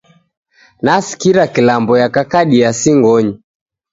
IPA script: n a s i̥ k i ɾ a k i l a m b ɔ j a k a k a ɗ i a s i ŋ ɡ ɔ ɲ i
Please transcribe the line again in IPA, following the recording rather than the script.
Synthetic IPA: n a s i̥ k i ɾ a k i l a m b ɔ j a k a k a ɗ i a s i ŋ ɡ ɔ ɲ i